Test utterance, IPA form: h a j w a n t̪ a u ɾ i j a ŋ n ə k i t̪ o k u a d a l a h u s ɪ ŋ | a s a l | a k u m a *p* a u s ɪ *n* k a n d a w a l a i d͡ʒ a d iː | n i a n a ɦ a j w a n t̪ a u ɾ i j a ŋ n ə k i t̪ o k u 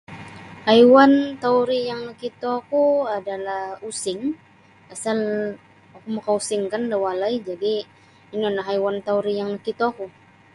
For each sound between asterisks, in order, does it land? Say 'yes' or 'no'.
no, no

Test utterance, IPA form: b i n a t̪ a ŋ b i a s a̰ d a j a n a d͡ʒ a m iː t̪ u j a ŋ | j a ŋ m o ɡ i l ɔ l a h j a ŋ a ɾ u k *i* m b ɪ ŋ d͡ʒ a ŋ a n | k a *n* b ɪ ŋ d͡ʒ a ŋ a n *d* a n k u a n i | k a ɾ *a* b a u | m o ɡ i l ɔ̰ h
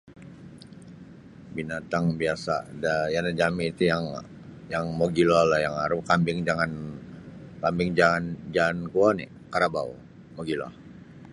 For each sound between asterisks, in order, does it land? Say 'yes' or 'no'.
no, no, no, yes

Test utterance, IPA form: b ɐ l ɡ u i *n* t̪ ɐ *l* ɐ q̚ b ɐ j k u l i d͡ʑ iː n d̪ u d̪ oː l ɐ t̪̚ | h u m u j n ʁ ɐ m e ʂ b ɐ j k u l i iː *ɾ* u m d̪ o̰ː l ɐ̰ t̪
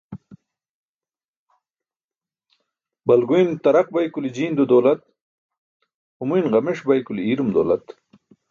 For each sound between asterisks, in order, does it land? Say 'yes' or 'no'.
yes, no, yes

